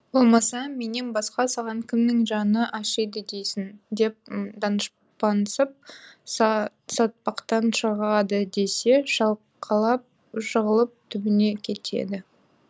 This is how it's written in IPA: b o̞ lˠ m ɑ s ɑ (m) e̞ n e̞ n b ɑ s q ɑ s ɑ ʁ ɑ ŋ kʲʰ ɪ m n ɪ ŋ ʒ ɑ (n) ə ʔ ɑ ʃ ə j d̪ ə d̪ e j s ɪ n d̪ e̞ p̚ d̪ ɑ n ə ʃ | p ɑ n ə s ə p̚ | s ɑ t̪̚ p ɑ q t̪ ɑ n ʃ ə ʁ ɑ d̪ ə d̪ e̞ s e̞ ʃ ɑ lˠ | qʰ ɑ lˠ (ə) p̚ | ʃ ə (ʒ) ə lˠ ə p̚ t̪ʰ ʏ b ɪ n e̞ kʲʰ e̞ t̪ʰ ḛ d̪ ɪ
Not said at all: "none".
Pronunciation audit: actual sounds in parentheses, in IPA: m, n, ɑ, ʁ

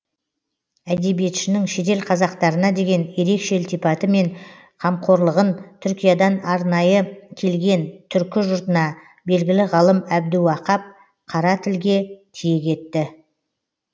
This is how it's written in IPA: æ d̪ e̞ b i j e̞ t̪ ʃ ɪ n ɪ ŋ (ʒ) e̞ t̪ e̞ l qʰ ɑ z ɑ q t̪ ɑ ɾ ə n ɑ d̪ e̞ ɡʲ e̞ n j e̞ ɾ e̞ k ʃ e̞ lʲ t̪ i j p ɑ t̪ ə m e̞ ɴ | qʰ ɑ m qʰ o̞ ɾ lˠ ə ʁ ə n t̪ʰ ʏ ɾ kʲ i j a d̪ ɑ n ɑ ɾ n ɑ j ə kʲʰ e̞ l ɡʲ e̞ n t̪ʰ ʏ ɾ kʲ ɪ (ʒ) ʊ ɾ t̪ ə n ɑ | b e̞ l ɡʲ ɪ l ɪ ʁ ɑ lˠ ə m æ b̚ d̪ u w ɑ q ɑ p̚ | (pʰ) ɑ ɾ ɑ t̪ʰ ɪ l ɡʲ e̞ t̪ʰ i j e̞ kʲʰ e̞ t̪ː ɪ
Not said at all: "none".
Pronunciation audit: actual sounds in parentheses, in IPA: ʃ, ʒ, qʰ

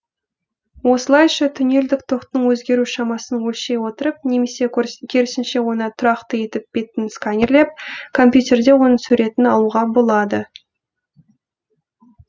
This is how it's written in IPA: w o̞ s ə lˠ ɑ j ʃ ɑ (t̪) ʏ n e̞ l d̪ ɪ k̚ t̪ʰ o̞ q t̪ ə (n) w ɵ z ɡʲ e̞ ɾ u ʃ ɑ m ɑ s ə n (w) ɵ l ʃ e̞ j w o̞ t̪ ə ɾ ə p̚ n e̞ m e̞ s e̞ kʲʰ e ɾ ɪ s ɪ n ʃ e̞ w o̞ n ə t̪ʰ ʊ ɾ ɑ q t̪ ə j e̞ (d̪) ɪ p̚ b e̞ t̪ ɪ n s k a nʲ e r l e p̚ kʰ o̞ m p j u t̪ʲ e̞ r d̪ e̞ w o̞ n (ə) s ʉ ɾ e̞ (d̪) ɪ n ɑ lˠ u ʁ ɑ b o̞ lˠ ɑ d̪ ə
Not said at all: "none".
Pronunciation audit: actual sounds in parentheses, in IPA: t̪ʰ, ɴ, w, t̪, ə, t̪

